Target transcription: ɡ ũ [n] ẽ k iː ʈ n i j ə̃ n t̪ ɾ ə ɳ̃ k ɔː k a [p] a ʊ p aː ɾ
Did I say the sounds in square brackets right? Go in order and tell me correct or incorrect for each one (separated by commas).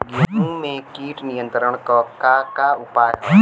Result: incorrect, incorrect